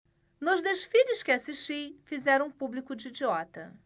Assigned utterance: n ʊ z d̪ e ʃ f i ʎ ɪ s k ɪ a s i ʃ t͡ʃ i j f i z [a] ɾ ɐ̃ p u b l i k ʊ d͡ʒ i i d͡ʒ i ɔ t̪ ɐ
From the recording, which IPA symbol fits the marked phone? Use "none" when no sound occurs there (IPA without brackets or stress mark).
ɛ